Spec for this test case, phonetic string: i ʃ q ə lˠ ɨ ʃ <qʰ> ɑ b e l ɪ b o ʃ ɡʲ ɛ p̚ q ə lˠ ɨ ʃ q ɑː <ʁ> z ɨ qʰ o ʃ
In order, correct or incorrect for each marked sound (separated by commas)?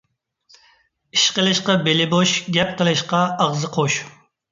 incorrect, correct